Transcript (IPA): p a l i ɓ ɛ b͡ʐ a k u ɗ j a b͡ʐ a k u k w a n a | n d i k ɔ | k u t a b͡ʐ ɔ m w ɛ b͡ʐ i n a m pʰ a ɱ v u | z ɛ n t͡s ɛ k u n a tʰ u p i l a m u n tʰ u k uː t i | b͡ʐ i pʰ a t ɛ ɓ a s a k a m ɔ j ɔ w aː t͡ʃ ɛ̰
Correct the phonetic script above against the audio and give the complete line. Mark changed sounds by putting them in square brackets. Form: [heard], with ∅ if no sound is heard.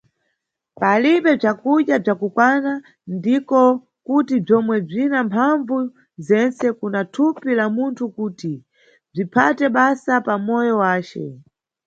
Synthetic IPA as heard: p a l i ɓ ɛ b͡ʐ a k u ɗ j a b͡ʐ a k u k w a n a | n d i k ɔ | k u t [i] b͡ʐ ɔ m w ɛ b͡ʐ i n a m pʰ a ɱ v u | z ɛ n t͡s ɛ k u n a tʰ u p i l a m u n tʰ u k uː t i | b͡ʐ i pʰ a t ɛ ɓ a s a [p] a m ɔ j ɔ w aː t͡ʃ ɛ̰